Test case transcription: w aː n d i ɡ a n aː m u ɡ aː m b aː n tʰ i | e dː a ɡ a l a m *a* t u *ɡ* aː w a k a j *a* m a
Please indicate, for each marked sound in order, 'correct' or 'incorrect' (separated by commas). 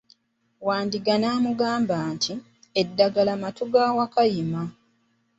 correct, correct, incorrect